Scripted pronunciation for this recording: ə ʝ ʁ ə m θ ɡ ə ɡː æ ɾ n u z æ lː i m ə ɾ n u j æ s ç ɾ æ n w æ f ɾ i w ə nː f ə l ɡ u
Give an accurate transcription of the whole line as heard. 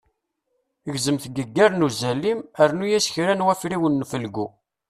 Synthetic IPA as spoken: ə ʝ z ə m θ ɡ ə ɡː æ ɾ n u z æ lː i m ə ɾ n u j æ s ç ɾ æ n w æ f ɾ i w ə nː f ə l ɡ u